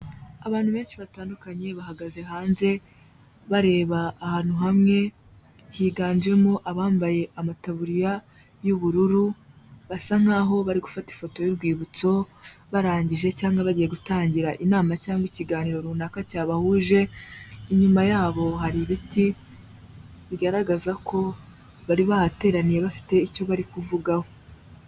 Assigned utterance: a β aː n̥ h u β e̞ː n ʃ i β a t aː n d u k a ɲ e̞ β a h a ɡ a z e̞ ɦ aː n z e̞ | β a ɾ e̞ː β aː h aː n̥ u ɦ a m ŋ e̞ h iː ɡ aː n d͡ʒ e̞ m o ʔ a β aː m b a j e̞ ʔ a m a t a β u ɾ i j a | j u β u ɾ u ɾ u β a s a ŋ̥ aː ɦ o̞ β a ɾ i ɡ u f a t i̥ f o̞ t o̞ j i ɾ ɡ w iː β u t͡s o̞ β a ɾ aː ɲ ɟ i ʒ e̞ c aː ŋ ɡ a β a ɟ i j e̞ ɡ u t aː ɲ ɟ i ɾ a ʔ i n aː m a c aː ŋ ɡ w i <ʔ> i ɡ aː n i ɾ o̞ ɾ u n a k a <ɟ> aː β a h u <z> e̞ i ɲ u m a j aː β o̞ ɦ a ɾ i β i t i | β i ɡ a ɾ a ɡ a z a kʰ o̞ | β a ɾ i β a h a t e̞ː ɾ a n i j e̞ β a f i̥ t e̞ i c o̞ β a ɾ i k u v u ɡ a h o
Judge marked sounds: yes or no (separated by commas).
no, no, no